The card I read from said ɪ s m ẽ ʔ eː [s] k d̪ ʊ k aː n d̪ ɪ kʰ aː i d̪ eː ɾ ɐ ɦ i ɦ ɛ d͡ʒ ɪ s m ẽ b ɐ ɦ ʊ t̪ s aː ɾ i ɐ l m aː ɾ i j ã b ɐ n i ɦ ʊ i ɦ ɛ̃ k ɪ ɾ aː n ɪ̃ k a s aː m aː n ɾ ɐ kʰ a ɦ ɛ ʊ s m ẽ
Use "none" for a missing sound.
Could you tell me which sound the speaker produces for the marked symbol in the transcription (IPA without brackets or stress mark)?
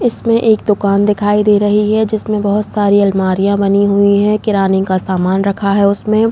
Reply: none